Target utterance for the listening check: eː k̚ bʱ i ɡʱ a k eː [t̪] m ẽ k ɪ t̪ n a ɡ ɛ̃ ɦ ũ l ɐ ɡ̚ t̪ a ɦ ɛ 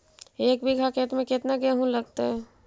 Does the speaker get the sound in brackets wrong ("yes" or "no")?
no